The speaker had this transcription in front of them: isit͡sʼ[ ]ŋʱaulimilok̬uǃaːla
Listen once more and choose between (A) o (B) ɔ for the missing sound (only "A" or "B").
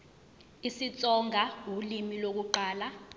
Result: B